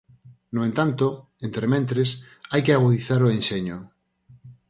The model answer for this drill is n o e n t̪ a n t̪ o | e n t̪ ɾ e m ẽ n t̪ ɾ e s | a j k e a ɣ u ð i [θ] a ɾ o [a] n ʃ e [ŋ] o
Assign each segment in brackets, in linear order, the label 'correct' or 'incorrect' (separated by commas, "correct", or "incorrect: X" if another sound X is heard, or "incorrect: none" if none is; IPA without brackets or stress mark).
correct, incorrect: e, incorrect: ɲ